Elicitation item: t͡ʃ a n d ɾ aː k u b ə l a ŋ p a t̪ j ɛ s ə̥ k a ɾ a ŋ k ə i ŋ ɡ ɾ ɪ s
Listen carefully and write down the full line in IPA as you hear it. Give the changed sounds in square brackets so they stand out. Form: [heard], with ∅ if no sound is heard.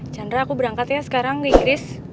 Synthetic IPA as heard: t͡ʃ a n d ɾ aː k u b ə [ɾ] a ŋ [k] a t̪ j [a] s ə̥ k a ɾ a ŋ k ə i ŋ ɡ ɾ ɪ s